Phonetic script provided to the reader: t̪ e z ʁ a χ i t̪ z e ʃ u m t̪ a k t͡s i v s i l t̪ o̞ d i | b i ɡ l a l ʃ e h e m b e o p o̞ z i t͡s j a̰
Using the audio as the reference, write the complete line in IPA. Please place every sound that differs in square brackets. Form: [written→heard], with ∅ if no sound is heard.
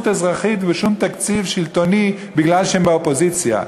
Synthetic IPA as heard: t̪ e z ʁ a χ i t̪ [z→v] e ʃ u m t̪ a k t͡s i v [s→ʃ] i l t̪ o̞ [d→n] i | b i ɡ l a l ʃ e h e m b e o p o̞ z i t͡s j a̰